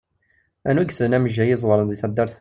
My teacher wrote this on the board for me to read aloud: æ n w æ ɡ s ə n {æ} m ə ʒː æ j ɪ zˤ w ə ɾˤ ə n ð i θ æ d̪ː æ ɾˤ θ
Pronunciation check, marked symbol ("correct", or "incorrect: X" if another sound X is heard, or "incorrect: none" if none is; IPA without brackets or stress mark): correct